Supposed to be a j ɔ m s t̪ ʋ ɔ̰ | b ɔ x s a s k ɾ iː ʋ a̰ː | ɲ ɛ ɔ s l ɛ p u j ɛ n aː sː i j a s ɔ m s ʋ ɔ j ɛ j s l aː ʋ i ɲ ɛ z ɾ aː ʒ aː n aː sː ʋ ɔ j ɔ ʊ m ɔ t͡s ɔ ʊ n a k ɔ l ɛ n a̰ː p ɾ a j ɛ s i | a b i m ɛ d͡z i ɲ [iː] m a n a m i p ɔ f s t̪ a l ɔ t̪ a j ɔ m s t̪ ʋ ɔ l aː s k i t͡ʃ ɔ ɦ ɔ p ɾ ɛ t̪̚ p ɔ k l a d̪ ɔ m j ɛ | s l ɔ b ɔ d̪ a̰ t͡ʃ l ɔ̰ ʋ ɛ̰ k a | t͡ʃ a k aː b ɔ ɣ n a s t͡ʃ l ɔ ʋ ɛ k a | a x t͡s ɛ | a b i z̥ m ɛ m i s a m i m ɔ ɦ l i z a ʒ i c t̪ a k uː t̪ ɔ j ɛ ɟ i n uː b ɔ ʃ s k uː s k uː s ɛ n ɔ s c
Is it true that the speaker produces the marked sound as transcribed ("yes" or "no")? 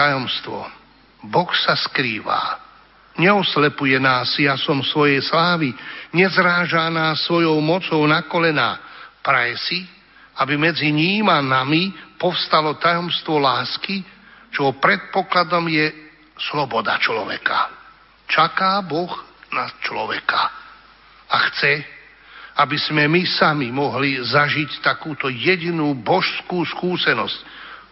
yes